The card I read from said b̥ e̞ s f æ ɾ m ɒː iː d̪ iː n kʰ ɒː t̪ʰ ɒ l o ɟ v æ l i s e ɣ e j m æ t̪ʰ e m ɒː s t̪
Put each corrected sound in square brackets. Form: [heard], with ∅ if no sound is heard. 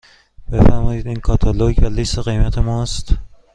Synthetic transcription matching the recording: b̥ e̞ [∅] f æ ɾ m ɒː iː d̪ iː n kʰ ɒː t̪ʰ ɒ l o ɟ v æ l i s e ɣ e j m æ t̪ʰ e m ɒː s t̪